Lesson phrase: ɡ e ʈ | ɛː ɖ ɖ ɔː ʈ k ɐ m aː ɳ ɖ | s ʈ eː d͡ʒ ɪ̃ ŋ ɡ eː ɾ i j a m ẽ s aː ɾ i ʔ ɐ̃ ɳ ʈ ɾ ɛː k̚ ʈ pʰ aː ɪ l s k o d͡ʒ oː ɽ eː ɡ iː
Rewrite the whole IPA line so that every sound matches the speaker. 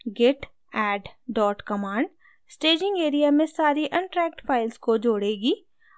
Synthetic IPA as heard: ɡ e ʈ | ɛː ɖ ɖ ɔː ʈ k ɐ m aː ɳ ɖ | s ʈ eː d͡ʒ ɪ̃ ŋ ɡ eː ɾ i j a m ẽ s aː ɾ i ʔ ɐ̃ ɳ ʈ ɾ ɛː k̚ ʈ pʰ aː ɪ l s k o d͡ʒ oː ɽ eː ɡ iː